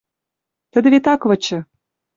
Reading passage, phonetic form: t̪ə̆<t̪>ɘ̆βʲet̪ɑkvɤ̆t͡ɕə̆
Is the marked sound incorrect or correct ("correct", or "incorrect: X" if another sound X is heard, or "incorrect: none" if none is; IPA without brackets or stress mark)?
incorrect: d̪